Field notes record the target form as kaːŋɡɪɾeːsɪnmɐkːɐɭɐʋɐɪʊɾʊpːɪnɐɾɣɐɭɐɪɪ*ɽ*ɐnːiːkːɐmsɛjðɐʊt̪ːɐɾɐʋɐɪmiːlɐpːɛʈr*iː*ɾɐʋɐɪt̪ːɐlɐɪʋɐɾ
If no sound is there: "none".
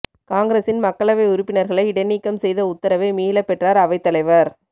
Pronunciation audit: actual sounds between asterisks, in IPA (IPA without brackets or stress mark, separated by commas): ɽ, aː